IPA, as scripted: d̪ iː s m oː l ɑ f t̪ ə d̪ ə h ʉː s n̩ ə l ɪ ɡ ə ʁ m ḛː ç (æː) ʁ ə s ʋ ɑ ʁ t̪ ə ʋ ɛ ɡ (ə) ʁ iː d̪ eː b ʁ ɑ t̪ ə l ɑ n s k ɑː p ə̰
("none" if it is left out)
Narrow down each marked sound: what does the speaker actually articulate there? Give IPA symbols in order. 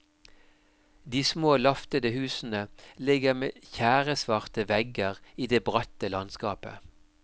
æː, ə

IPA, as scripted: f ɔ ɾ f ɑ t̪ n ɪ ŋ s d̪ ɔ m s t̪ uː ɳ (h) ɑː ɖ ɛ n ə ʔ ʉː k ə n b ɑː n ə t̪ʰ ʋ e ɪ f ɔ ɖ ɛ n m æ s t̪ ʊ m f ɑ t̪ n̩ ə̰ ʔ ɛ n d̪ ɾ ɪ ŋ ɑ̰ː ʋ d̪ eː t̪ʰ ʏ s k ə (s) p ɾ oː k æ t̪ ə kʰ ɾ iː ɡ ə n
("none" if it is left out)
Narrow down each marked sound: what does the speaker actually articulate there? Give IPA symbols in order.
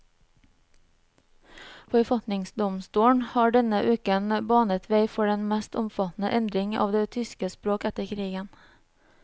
h, s

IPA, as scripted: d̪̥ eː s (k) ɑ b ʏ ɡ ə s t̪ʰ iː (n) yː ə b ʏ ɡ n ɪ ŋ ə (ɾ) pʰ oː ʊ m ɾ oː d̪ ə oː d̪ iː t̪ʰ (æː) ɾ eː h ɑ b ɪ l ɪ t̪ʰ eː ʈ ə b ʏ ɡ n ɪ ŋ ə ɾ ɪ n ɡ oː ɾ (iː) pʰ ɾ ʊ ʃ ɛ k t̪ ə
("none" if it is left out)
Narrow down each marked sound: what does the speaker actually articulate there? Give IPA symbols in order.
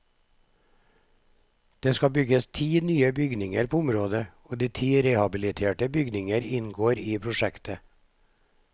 k, n, ɾ, iː, iː

